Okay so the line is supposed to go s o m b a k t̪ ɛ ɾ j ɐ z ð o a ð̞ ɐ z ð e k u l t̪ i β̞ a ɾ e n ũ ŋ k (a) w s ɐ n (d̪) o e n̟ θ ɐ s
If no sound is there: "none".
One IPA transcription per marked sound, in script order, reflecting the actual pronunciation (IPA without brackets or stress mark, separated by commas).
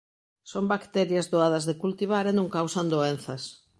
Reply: a, d̪